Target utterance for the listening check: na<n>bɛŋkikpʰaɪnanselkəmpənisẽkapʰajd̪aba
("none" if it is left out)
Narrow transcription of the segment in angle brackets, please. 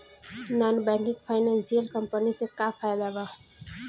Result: n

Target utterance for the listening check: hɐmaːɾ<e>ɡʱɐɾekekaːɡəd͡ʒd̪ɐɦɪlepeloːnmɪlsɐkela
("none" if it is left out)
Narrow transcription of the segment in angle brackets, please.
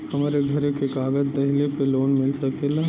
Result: e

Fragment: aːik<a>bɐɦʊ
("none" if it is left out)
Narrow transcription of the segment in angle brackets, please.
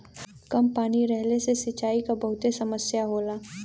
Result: a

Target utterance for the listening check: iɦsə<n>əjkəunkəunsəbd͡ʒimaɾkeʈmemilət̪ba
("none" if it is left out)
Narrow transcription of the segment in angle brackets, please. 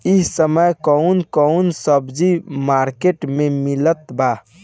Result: m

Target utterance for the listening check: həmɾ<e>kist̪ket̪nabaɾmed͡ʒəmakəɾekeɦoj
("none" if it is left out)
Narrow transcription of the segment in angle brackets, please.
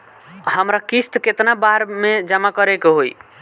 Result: a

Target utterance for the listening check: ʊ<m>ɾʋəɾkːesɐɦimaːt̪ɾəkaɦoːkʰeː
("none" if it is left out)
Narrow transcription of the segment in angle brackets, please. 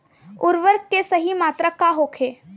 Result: none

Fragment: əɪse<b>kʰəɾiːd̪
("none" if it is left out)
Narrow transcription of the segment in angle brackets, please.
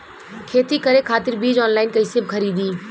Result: b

